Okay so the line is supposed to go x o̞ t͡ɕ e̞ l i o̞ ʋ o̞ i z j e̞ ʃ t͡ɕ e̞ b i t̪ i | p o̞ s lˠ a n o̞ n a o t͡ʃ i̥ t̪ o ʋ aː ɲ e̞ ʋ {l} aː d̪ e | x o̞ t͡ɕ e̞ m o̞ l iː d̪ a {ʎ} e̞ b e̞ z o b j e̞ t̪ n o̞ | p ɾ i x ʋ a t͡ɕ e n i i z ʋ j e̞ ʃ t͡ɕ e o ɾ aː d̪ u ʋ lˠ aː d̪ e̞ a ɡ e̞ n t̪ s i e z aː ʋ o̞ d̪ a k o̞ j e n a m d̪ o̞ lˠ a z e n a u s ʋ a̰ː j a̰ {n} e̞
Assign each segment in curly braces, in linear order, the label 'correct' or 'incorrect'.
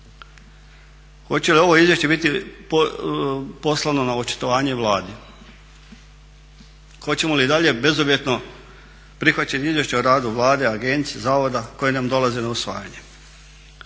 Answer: correct, correct, incorrect: ɲ

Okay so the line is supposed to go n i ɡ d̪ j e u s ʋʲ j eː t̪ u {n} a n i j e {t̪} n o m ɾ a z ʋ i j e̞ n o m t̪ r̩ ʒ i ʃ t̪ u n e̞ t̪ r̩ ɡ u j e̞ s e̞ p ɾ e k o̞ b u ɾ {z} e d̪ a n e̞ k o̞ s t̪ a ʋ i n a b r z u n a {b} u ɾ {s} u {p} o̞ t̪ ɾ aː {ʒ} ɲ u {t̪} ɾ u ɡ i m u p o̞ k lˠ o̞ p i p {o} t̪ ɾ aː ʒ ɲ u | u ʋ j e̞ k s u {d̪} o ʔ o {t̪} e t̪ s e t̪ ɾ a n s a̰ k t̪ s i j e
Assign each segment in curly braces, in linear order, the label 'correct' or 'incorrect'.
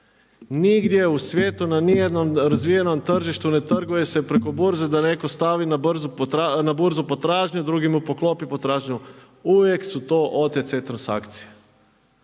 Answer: correct, incorrect: d̪, correct, correct, incorrect: z, correct, correct, incorrect: d̪, correct, incorrect: t̪, correct

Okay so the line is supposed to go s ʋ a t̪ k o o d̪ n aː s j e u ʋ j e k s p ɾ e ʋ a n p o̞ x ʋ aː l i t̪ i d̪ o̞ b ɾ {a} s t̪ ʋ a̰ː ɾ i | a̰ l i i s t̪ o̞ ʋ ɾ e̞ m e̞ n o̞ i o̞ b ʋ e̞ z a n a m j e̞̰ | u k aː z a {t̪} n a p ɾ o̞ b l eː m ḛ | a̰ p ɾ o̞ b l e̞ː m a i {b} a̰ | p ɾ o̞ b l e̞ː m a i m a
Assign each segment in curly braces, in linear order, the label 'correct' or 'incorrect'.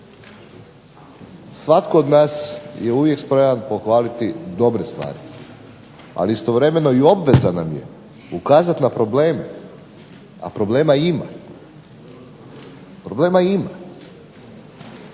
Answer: incorrect: e, correct, incorrect: m

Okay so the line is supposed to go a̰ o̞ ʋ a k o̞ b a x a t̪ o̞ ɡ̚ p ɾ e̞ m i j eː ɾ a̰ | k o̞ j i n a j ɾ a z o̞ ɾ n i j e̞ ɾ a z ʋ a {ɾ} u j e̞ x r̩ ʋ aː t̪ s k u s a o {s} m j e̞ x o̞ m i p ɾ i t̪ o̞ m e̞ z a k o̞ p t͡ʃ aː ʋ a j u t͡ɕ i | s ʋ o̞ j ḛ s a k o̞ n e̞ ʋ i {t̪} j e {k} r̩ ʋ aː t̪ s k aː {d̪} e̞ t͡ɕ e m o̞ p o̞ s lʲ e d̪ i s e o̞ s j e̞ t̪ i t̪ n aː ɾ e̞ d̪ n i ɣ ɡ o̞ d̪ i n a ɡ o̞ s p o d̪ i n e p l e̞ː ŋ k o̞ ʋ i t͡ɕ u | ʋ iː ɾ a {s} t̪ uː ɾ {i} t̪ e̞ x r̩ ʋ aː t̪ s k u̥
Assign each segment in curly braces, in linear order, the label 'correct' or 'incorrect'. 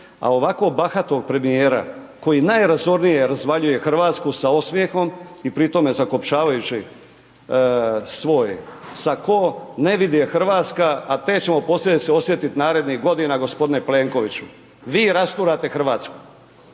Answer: incorrect: ʎ, correct, incorrect: d̪, incorrect: x, incorrect: t̪, correct, incorrect: a

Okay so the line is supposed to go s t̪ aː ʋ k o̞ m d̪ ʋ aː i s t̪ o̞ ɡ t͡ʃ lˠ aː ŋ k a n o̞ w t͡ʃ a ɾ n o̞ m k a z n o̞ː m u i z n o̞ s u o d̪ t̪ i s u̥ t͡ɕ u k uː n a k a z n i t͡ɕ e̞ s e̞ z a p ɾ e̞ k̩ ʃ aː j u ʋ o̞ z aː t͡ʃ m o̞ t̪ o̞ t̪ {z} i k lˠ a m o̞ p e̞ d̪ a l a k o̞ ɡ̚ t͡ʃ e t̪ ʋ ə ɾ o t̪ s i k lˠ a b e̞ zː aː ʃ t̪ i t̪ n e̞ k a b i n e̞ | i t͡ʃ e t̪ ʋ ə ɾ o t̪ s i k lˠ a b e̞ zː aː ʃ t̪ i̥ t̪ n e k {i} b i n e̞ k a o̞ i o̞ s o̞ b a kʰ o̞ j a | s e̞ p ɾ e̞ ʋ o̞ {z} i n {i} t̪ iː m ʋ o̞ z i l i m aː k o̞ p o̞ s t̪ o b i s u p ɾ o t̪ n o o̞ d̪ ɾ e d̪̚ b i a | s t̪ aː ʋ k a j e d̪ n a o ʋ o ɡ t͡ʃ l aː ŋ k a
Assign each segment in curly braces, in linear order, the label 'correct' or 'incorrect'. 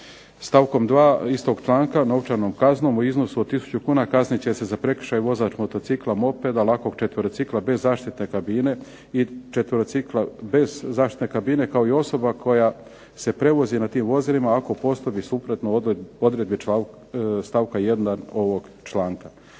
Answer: incorrect: s, incorrect: a, correct, incorrect: a

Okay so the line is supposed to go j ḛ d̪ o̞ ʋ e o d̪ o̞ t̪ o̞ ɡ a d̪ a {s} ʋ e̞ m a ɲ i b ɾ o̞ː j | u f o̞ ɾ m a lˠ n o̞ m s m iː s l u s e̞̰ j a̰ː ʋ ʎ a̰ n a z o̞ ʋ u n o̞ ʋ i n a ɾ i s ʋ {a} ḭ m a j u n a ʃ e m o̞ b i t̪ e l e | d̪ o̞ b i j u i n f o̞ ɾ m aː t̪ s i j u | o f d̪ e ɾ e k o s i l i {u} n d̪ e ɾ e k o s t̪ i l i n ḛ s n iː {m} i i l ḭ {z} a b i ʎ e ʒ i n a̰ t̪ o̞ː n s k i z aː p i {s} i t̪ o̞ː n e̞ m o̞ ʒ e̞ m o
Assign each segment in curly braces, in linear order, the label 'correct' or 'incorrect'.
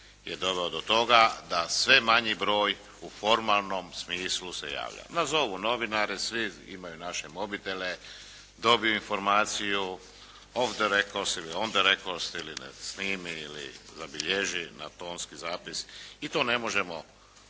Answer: correct, incorrect: i, incorrect: o, correct, correct, correct

